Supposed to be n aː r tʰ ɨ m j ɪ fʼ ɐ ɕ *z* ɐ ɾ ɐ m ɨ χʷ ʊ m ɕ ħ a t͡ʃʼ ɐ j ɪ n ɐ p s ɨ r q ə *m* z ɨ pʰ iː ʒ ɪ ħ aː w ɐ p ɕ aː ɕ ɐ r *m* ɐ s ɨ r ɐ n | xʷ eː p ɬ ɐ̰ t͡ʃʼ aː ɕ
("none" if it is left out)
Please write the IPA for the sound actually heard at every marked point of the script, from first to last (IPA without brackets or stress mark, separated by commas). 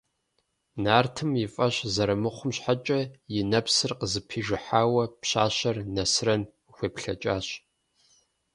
z, none, n